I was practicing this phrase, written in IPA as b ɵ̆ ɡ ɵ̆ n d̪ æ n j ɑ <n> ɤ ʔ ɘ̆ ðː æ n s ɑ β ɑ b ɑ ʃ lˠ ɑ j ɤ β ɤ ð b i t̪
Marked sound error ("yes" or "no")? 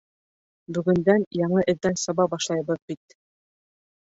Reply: yes